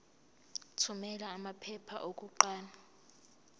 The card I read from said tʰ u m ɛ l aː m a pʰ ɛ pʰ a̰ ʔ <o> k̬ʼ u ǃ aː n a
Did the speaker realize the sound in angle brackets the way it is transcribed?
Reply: yes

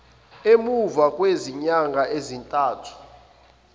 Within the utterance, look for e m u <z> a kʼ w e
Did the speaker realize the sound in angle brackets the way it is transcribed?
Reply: no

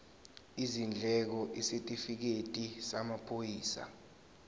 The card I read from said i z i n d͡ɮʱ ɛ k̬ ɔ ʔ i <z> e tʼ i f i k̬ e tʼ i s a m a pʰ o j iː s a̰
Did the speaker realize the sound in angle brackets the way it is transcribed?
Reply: no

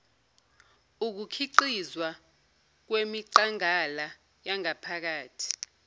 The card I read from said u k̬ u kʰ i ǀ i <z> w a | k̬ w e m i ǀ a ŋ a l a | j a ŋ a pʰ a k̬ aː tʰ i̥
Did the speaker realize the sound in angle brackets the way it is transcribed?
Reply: yes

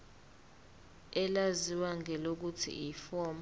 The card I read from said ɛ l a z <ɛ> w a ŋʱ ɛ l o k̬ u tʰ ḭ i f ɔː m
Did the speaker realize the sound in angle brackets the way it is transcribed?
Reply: no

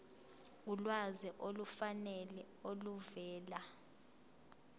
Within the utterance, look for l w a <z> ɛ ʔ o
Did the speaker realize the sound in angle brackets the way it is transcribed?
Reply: yes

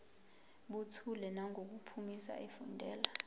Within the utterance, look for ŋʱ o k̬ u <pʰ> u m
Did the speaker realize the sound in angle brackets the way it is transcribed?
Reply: yes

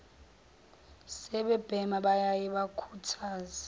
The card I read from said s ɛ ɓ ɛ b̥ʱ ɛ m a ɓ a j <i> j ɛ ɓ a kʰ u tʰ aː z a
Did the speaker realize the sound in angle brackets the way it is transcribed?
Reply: no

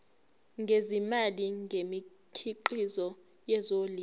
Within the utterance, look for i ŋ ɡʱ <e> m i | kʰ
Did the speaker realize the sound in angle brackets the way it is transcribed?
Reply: yes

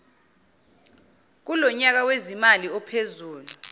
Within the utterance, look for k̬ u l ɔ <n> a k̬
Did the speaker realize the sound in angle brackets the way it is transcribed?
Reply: no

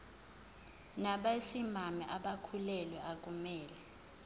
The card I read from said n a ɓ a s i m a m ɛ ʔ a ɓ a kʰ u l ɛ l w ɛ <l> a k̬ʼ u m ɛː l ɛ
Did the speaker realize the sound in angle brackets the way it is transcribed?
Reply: no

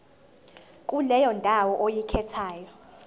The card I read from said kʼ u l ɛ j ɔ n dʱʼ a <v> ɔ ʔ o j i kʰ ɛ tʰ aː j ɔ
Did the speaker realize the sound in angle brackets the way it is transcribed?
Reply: no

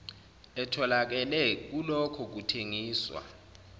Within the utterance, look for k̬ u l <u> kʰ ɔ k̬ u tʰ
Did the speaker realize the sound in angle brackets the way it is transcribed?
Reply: no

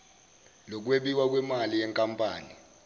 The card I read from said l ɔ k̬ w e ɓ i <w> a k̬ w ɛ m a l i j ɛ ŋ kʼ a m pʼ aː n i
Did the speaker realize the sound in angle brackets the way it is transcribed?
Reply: yes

